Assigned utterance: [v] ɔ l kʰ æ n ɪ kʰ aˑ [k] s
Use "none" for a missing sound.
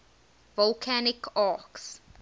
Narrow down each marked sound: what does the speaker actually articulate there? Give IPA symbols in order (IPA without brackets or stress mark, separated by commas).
v, k